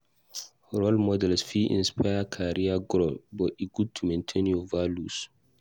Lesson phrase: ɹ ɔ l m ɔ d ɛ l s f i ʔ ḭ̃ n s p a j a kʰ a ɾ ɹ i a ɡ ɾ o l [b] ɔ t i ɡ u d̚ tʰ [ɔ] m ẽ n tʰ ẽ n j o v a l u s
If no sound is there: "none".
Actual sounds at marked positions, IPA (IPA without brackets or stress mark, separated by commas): b, u